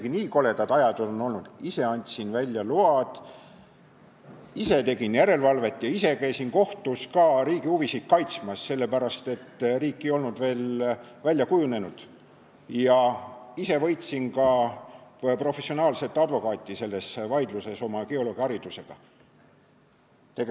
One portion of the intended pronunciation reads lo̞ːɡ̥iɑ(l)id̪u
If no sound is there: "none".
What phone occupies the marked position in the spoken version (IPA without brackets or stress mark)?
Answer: ɾ